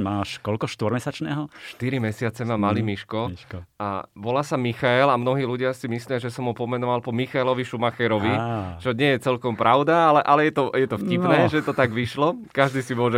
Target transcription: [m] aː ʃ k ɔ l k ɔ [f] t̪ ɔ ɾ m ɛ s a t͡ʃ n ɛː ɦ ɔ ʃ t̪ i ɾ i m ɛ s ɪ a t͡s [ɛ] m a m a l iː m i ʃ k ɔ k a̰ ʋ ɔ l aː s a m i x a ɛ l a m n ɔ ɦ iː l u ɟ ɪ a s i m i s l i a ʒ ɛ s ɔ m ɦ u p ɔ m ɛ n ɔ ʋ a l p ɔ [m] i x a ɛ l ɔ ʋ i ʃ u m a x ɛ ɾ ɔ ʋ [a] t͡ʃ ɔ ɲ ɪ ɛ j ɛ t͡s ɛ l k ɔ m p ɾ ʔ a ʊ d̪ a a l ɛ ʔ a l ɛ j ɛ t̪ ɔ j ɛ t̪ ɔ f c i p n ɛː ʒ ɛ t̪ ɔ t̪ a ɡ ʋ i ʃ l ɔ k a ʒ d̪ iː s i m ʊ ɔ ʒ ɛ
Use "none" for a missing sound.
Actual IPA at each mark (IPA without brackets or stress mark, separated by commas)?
m, ʃ, ɛ, m, i